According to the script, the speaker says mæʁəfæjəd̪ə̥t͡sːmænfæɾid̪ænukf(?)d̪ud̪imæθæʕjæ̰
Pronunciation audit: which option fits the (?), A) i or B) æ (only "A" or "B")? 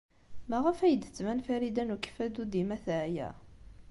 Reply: B